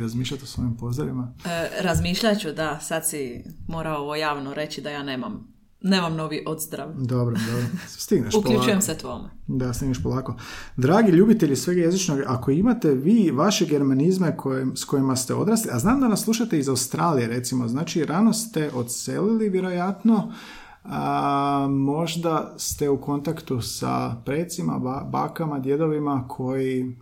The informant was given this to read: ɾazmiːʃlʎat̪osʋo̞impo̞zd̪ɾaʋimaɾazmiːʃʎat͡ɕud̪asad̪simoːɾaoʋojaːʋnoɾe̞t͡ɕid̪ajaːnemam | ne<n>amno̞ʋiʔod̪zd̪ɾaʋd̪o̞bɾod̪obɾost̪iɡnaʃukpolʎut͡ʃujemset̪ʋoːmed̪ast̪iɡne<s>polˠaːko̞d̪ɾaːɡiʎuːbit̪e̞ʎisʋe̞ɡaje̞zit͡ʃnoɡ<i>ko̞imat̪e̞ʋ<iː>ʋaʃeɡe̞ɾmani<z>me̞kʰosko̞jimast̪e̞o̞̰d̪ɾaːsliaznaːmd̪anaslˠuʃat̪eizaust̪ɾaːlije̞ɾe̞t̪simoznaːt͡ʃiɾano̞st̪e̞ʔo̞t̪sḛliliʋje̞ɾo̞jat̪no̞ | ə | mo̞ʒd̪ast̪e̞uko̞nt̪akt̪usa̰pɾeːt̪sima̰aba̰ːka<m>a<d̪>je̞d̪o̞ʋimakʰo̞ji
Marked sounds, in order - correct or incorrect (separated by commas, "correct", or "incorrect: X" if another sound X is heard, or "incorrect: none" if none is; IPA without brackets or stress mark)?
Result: incorrect: m, incorrect: ʃ, incorrect: a, correct, correct, correct, correct